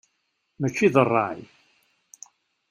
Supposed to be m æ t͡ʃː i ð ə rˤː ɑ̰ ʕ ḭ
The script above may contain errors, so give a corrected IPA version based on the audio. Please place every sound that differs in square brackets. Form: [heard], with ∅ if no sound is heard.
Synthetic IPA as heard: m æ t͡ʃː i ð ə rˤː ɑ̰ ʕ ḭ